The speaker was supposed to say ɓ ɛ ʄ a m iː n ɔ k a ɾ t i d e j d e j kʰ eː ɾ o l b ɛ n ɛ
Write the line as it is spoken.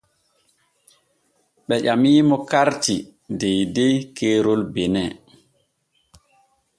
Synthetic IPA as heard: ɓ ɛ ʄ a m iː m ɔ k a ɾ t i d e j d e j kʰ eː ɾ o l b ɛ n ɛ